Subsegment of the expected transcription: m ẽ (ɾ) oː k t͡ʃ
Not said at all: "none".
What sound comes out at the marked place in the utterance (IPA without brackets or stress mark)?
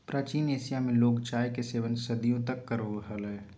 l